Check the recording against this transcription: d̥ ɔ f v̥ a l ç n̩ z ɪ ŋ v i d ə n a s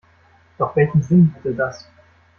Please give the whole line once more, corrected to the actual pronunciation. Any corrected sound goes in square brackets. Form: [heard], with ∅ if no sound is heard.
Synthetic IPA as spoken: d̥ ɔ [χ] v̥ [ɛ] l ç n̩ z ɪ [n] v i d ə [d] a s

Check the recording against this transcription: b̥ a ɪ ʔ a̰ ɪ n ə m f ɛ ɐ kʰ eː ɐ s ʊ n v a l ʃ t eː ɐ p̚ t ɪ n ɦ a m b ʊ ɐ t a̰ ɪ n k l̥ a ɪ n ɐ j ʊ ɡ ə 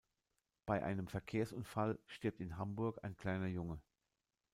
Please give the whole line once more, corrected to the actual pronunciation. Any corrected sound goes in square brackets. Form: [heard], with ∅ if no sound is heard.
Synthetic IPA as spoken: b̥ a ɪ ʔ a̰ ɪ n ə m f ɛ ɐ kʰ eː ɐ s ʊ n [f] a l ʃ t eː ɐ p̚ t ɪ n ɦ a m b ʊ ɐ [k] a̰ ɪ n k l̥ a ɪ n ɐ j ʊ [ŋ] ə

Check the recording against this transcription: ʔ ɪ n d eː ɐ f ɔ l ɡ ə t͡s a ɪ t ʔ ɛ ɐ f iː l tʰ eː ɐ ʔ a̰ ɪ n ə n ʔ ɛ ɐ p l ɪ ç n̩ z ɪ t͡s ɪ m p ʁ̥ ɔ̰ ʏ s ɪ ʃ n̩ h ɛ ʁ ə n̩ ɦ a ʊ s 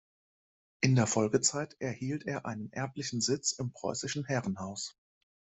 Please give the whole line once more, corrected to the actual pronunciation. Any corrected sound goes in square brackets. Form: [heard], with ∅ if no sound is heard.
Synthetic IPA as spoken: ʔ ɪ n d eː ɐ f ɔ l ɡ ə t͡s a ɪ t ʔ ɛ ɐ [h] iː l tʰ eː ɐ ʔ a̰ ɪ n ə n ʔ ɛ ɐ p l ɪ ç n̩ z ɪ t͡s ɪ m p ʁ̥ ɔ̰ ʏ s ɪ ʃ n̩ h ɛ ʁ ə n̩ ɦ a ʊ s

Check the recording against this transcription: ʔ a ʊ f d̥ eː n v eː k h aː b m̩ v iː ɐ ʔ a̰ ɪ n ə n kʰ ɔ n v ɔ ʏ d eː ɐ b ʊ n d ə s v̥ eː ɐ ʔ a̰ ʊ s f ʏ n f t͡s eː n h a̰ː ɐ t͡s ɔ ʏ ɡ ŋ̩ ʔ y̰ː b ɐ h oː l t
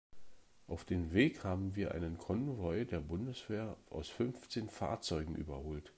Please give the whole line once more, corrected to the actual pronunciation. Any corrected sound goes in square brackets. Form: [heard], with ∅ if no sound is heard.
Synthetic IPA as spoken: ʔ a ʊ f d̥ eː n v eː k h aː b m̩ v iː ɐ ʔ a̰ ɪ n ə n kʰ ɔ n v ɔ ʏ d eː ɐ b ʊ n d ə s v̥ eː ɐ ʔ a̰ ʊ s f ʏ n f t͡s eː n [f] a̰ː ɐ t͡s ɔ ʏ ɡ ŋ̩ ʔ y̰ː b ɐ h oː l t

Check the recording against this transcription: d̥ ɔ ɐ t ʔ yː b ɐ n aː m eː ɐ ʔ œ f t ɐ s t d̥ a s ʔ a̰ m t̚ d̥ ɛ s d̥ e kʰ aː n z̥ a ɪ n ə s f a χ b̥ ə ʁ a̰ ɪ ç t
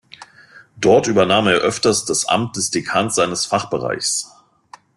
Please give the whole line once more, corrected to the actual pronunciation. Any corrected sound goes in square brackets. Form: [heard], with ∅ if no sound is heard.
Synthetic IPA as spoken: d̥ ɔ ɐ t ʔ yː b ɐ n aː m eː ɐ ʔ œ f t ɐ s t d̥ a s ʔ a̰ m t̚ d̥ ɛ s d̥ e kʰ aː n z̥ a ɪ n ə s f a χ b̥ ə ʁ a̰ ɪ ç [s]

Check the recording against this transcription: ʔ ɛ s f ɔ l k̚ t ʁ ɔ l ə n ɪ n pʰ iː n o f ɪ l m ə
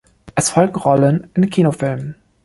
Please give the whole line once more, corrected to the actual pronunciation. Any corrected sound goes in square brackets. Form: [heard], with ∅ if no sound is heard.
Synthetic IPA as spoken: ʔ ɛ s f ɔ l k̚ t ʁ ɔ l ə n ɪ n [kʰ] iː n o f ɪ l m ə

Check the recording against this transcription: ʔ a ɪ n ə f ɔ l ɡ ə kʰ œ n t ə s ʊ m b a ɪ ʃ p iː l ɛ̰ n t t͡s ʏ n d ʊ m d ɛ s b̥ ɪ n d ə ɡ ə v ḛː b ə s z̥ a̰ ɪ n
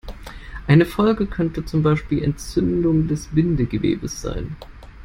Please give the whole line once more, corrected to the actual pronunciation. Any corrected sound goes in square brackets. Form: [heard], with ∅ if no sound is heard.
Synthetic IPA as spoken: ʔ a ɪ n ə f ɔ l ɡ ə kʰ œ n t ə [t͡s] ʊ m b a ɪ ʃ p iː l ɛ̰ n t t͡s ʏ n d ʊ [ŋ] d ɛ s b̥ ɪ n d ə ɡ ə v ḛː b ə s z̥ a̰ ɪ n

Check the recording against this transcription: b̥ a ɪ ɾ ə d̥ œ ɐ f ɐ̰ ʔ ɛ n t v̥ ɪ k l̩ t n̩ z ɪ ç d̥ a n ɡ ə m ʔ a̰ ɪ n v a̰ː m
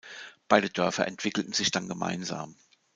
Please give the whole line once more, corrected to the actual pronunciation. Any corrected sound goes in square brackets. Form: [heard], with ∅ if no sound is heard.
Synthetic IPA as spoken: b̥ a ɪ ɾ ə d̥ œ ɐ f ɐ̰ ʔ ɛ n t v̥ ɪ k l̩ t n̩ z ɪ ç d̥ a n ɡ ə m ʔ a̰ ɪ n [z] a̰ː m

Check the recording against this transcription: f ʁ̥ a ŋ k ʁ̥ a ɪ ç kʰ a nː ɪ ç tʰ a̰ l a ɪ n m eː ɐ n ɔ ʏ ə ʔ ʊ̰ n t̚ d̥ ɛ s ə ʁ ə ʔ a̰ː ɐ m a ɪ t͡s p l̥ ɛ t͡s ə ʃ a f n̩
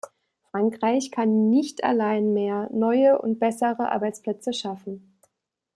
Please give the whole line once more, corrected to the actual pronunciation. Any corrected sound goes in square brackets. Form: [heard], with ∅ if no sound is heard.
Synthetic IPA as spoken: f ʁ̥ a ŋ k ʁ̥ a ɪ ç kʰ a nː ɪ ç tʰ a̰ l a ɪ n m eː ɐ n ɔ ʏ ə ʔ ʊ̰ n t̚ [b̥] ɛ s ə ʁ ə ʔ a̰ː ɐ [b] a ɪ t͡s p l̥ ɛ t͡s ə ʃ a f n̩

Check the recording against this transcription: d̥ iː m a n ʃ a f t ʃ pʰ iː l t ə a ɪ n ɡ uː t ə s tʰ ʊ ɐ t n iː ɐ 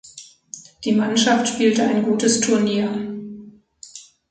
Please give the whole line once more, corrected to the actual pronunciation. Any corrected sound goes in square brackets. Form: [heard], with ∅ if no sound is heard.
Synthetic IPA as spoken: d̥ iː m a n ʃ a f t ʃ [p] iː l t ə a ɪ n ɡ uː t ə s tʰ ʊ ɐ [∅] n iː ɐ

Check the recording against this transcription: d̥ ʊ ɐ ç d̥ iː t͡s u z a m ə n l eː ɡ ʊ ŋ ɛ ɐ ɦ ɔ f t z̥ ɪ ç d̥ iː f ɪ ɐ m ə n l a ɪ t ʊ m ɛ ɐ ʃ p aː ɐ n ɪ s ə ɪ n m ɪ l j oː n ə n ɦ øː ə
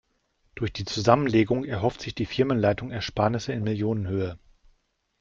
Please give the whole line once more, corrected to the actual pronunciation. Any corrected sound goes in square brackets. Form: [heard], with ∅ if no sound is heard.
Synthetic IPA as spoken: d̥ ʊ ɐ ç d̥ iː t͡s u z a m ə n l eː ɡ ʊ ŋ ɛ ɐ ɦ ɔ f t z̥ ɪ ç d̥ iː f ɪ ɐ m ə n l a ɪ t ʊ [ŋ] ɛ ɐ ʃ p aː ɐ n ɪ s ə ɪ n m ɪ l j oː n ə n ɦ øː ə

